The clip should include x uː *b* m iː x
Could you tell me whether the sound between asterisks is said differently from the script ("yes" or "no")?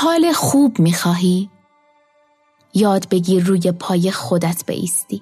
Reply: no